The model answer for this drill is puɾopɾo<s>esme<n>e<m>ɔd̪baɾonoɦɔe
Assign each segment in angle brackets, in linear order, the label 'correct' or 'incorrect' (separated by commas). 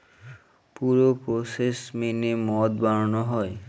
correct, correct, correct